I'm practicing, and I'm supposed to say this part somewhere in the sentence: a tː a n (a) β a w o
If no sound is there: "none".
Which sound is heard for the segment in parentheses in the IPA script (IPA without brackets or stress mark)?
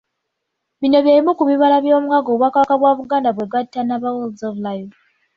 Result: a